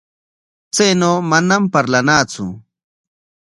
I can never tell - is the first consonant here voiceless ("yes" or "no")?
yes